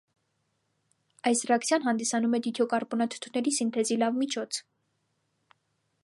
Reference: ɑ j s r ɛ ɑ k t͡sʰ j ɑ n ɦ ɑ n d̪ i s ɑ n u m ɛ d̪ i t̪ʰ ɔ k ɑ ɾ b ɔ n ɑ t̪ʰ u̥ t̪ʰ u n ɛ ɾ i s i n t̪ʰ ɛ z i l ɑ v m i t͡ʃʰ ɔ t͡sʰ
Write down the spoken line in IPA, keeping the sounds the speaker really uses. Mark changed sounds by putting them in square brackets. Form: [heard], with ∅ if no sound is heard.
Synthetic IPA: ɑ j s r ɛ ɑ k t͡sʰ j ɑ n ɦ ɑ n d̪ i s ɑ n u m ɛ d̪ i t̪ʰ ɔ k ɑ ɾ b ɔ n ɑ t̪ʰ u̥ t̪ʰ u n ɛ ɾ i s i n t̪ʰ ɛ z i l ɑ v m i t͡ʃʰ ɔ t͡sʰ